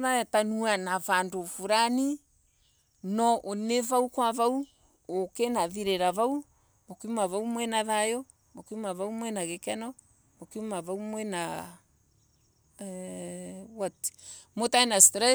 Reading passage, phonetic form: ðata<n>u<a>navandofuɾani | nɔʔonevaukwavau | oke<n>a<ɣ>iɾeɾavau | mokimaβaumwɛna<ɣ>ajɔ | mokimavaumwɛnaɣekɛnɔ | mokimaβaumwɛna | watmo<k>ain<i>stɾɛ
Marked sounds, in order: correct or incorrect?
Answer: correct, correct, correct, incorrect: ð, incorrect: ð, incorrect: t, incorrect: a

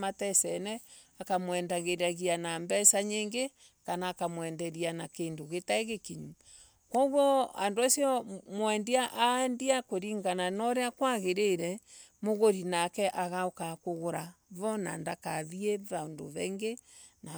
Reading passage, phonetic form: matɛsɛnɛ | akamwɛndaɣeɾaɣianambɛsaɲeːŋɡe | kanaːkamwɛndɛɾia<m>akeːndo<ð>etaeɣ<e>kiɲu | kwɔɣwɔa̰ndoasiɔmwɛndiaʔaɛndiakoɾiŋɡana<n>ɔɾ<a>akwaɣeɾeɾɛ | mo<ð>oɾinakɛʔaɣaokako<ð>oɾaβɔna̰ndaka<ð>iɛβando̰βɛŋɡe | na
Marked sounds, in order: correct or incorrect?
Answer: incorrect: n, incorrect: ɣ, correct, correct, incorrect: e, incorrect: ɣ, incorrect: ɣ, correct

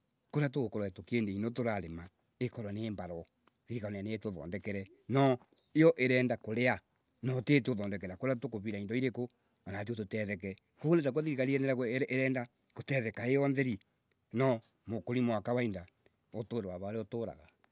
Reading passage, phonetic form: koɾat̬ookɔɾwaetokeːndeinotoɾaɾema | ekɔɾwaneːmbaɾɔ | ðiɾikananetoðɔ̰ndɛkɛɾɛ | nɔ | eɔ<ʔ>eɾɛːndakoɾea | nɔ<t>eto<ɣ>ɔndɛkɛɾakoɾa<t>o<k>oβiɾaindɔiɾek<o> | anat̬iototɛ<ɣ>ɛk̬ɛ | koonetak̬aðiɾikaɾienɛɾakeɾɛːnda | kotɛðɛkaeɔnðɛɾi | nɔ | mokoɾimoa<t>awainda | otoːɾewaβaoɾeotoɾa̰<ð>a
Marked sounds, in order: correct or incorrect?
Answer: correct, correct, incorrect: ð, correct, correct, correct, incorrect: ð, incorrect: k, incorrect: ɣ

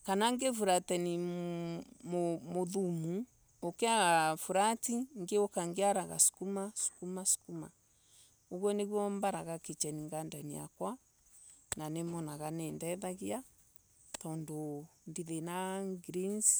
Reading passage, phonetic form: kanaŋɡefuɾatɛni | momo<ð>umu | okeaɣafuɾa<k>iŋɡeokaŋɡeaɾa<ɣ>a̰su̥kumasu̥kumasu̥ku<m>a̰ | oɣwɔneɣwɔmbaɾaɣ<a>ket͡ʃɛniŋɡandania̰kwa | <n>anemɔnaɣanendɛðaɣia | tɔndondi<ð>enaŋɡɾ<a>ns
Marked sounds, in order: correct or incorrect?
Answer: correct, incorrect: t, correct, correct, correct, correct, correct, incorrect: i

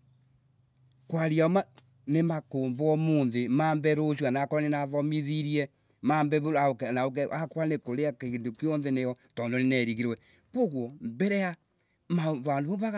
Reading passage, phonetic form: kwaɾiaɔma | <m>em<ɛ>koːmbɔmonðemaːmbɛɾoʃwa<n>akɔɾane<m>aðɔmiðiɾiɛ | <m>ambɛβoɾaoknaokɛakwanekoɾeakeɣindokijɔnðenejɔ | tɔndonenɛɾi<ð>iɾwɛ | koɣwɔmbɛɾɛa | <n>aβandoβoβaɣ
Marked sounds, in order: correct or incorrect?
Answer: incorrect: n, incorrect: a, correct, incorrect: n, correct, incorrect: ɣ, incorrect: m

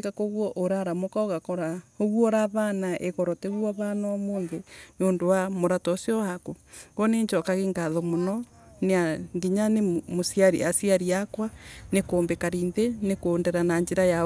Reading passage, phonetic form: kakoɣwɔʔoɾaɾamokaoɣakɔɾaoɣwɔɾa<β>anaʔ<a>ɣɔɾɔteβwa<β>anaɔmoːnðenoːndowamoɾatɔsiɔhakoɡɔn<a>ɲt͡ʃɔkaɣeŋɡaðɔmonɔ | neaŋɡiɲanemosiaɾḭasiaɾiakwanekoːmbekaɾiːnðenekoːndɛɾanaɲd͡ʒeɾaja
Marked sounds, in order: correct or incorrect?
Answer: correct, incorrect: e, correct, incorrect: e

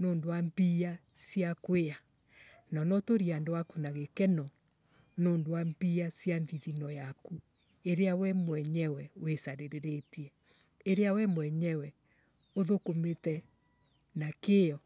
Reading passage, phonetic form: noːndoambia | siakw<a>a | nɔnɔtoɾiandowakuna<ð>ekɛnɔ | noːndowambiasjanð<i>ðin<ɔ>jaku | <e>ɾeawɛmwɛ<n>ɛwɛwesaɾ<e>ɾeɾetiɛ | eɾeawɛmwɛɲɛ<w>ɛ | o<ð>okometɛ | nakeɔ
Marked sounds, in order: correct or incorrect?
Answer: incorrect: e, incorrect: ɣ, correct, correct, correct, incorrect: ɲ, correct, correct, correct

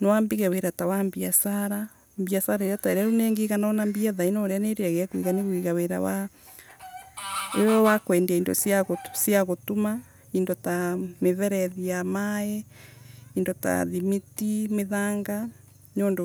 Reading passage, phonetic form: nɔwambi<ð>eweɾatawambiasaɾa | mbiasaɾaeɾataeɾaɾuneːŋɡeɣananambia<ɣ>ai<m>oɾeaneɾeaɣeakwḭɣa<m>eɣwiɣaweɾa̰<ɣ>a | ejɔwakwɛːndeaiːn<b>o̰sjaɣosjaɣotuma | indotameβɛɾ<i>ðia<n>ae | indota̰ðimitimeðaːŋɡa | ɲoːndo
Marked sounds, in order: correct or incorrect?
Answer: incorrect: ɣ, incorrect: ð, incorrect: n, incorrect: n, incorrect: w, incorrect: d, incorrect: ɛ, incorrect: m

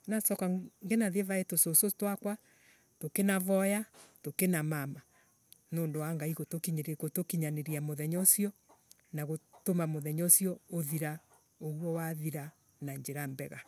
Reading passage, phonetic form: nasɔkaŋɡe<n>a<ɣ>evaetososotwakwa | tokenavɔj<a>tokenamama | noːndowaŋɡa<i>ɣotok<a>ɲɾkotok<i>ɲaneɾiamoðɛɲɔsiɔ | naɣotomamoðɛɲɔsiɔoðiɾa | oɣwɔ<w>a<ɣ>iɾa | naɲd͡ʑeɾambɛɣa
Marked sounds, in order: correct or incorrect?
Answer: correct, incorrect: ð, correct, correct, incorrect: i, correct, correct, incorrect: ð

